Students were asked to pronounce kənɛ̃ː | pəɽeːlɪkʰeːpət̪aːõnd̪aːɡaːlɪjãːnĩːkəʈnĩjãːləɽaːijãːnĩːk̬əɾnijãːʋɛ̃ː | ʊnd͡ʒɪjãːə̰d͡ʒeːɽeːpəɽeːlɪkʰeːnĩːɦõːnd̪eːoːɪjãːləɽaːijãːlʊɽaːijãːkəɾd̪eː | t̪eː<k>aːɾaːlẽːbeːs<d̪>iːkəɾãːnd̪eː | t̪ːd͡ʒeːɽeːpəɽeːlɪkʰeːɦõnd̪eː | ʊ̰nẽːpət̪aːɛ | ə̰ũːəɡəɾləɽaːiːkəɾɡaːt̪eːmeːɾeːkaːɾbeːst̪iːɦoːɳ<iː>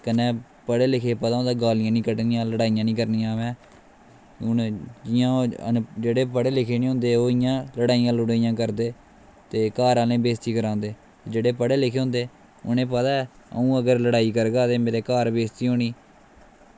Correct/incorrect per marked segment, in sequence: correct, incorrect: t̪, correct

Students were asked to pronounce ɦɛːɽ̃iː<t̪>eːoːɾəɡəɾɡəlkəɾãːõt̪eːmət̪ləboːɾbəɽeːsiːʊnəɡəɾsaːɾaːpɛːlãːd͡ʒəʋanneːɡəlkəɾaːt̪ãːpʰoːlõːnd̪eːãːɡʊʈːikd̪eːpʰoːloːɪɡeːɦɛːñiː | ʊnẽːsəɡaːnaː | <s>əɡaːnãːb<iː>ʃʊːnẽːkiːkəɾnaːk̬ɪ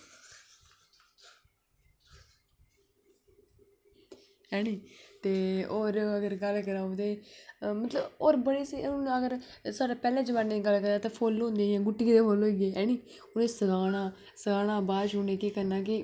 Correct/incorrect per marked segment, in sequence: correct, correct, incorrect: aː

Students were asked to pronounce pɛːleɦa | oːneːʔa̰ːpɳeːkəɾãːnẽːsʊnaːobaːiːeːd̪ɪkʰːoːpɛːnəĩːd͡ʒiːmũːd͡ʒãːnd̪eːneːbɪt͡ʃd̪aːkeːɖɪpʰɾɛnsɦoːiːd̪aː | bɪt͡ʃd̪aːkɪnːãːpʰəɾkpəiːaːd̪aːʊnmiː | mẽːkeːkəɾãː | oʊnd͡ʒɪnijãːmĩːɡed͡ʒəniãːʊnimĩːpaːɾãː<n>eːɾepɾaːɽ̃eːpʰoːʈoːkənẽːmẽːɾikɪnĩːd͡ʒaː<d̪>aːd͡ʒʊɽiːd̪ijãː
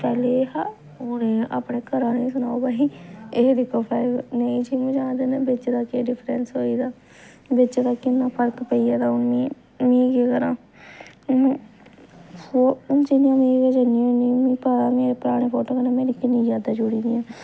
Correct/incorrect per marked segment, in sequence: incorrect: m, correct

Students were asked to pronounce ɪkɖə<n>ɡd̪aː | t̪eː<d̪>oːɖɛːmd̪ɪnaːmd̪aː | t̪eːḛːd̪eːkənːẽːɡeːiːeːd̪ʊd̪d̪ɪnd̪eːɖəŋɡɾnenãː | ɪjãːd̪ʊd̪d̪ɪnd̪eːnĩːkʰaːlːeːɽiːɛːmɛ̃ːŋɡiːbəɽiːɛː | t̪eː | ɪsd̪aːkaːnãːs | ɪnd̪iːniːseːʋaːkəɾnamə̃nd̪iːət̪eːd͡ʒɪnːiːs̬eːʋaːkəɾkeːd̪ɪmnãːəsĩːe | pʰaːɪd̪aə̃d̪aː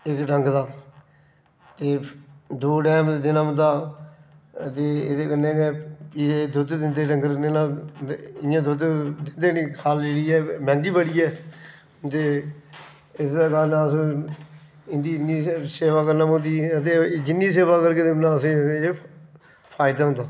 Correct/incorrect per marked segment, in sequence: incorrect: ŋ, correct

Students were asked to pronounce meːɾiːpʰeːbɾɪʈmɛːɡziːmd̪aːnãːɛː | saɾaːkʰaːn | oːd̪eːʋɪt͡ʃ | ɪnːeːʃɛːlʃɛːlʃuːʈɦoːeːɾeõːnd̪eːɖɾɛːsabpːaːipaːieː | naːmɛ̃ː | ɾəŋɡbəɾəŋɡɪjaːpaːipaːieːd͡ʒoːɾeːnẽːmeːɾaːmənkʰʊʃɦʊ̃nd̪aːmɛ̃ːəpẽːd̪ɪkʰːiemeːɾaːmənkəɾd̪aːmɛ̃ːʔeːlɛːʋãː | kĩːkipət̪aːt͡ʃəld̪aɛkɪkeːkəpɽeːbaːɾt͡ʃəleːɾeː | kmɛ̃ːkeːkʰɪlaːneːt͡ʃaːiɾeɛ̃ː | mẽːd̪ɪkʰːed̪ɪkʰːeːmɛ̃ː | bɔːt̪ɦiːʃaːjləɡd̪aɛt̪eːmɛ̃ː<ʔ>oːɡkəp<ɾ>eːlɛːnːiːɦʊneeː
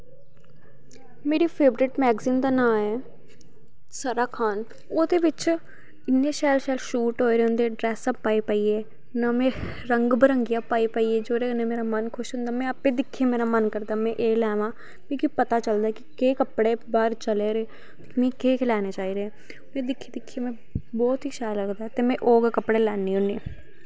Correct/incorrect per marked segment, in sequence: correct, incorrect: ɽ

